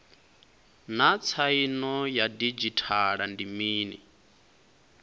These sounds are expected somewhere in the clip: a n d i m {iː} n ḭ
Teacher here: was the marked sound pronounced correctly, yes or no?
yes